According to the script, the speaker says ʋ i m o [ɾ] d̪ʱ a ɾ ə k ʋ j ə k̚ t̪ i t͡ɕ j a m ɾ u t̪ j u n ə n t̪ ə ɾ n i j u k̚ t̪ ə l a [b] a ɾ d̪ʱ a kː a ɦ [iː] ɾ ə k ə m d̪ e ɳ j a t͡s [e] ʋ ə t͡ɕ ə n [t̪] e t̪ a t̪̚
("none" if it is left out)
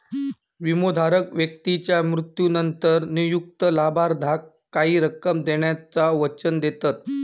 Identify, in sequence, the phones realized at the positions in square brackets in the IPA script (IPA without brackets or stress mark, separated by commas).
none, b, iː, a, d̪